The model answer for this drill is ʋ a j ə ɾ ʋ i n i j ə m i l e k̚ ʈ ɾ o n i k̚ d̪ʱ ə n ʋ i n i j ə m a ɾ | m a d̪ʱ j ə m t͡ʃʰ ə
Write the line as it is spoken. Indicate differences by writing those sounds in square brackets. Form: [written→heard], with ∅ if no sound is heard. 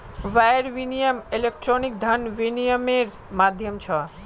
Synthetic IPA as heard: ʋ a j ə ɾ ʋ i n i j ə m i l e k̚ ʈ ɾ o n i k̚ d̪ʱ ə n ʋ i n i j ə m [a→e] ɾ | m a d̪ʱ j ə m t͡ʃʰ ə